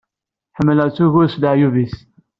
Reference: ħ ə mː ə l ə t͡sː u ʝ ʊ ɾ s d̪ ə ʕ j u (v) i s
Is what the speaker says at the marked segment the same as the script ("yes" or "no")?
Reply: yes